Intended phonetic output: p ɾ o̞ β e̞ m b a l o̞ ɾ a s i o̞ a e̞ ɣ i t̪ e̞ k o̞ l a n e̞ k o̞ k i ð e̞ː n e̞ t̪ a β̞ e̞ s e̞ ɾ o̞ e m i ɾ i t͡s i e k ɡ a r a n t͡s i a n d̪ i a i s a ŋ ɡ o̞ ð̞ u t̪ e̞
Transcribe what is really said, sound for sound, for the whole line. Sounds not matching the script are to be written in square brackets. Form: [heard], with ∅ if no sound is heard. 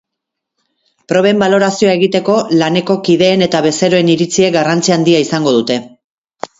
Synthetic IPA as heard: p ɾ o̞ β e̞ m b a l o̞ ɾ a s i o̞ a e̞ ɣ i t̪ e̞ k o̞ l a n e̞ k o̞ k i ð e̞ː n e̞ t̪ a β̞ e̞ s e̞ ɾ o̞ e [n] i ɾ i t͡s i e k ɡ a r a n t͡s i a n d̪ i a i s a ŋ ɡ o̞ ð̞ u t̪ e̞